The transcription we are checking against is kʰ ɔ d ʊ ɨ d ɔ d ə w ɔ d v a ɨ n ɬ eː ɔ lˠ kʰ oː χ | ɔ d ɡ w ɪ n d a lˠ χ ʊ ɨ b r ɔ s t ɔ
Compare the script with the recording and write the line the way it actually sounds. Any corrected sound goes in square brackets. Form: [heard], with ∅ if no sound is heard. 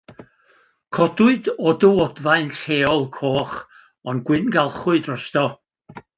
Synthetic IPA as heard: kʰ ɔ d ʊ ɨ d ɔ d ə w ɔ d v a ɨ n ɬ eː ɔ lˠ kʰ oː χ | ɔ [n] ɡ w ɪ n [ɡ] a lˠ χ ʊ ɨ [d] r ɔ s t ɔ